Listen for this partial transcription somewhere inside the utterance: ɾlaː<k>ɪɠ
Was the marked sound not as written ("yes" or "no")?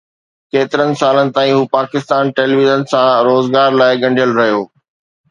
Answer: yes